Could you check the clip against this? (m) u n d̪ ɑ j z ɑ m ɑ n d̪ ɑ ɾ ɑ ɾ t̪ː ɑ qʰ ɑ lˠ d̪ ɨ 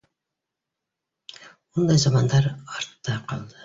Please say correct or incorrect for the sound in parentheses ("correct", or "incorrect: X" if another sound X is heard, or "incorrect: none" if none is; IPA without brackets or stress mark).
correct